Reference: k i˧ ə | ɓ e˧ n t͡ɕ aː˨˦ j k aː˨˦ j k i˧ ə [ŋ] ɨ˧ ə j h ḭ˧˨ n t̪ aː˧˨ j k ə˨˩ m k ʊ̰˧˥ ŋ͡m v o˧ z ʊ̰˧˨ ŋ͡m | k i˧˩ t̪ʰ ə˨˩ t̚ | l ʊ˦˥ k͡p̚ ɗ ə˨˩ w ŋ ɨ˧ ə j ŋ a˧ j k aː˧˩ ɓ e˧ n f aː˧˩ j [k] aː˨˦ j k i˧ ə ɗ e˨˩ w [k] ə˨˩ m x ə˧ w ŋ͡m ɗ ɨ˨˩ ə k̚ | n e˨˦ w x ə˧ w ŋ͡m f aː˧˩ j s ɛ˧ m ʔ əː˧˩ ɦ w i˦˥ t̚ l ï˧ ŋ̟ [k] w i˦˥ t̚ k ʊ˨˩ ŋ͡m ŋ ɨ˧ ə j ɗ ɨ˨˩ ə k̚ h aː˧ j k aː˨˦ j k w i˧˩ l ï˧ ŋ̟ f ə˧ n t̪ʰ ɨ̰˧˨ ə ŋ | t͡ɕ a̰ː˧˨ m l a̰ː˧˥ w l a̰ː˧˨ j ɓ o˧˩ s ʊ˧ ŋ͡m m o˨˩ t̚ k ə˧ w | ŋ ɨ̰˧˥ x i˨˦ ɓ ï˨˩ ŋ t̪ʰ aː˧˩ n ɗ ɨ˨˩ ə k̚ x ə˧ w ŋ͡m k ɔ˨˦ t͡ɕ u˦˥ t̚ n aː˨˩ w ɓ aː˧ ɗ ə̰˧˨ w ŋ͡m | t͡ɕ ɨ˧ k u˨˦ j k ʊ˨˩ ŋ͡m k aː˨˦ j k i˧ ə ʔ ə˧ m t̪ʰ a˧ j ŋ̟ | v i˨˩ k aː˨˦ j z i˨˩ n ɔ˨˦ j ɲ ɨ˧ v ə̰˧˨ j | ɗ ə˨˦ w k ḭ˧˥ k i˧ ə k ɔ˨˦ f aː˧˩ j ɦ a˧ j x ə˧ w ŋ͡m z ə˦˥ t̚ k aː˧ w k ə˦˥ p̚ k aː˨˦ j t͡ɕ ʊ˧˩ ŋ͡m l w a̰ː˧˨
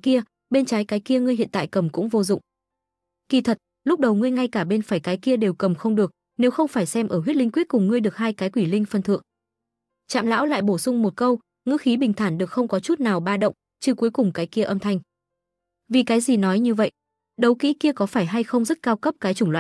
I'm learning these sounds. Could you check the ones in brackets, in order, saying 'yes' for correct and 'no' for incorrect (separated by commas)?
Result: yes, yes, yes, yes